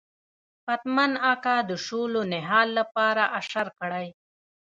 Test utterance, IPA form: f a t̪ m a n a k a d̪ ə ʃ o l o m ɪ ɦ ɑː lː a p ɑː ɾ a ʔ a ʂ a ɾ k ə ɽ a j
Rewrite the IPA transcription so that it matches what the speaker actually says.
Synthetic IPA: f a t̪ m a n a k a d̪ ə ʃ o l o n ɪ ɦ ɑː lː a p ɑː ɾ a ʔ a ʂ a ɾ k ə ɽ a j